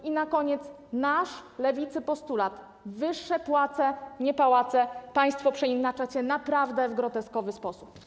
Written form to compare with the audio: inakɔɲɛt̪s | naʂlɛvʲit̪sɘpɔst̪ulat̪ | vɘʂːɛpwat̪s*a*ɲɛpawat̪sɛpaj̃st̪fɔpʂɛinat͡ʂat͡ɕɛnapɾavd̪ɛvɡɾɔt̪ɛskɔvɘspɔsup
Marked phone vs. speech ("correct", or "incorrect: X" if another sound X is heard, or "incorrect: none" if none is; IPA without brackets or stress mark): incorrect: ɛ